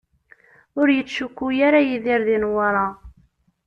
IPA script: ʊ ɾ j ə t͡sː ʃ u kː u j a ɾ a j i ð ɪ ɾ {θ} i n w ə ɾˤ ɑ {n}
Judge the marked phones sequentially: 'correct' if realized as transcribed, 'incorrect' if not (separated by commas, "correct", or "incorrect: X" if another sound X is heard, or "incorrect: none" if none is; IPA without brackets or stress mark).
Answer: incorrect: ð, incorrect: none